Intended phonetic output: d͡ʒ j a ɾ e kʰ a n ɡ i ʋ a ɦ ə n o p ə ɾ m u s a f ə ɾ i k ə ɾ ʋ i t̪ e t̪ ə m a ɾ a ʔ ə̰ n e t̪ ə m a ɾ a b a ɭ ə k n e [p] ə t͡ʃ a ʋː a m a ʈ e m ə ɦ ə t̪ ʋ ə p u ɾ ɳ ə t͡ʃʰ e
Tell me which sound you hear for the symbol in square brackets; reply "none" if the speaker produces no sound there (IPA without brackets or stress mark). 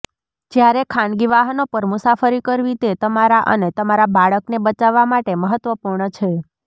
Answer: b